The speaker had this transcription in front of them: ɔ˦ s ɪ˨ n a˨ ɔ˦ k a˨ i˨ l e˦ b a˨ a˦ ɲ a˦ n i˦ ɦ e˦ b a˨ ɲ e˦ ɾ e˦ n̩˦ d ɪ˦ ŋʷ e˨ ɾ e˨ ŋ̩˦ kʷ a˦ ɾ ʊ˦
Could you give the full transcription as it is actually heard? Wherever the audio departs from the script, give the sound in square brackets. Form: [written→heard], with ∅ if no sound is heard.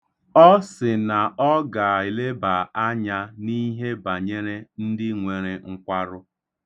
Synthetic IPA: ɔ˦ s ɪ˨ n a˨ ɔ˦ [k→ɡ] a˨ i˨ l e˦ b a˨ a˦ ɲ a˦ n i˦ ɦ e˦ b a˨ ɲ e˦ ɾ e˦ n̩˦ d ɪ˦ ŋʷ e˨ ɾ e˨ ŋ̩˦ kʷ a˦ ɾ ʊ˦